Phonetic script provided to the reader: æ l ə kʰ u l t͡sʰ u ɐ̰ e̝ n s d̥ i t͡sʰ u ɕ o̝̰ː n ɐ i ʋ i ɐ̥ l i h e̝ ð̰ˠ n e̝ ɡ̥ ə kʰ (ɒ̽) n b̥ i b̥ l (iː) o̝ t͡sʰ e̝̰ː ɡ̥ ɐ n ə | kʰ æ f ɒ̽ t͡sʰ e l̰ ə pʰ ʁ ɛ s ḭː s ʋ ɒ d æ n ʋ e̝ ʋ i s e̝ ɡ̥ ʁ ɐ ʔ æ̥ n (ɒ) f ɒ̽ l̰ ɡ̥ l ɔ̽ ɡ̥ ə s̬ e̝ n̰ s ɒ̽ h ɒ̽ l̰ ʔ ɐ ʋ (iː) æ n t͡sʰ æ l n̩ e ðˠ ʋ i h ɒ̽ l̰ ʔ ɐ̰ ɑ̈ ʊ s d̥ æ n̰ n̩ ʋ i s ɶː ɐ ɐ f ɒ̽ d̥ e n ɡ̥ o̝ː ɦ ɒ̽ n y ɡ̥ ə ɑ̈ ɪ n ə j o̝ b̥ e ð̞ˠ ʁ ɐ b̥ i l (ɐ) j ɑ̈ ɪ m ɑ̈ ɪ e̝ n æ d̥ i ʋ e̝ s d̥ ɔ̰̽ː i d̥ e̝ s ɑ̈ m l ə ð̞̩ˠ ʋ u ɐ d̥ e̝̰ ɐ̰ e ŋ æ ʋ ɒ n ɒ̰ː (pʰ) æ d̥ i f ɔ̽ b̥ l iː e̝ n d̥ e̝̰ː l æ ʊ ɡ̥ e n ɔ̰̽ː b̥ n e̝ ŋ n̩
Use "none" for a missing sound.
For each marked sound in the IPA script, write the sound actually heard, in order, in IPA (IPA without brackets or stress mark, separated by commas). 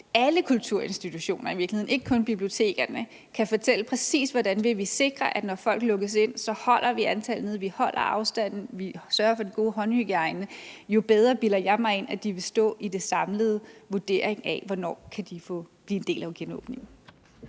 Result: ɔ̽, i, ɒ, i, ɐ, kʰ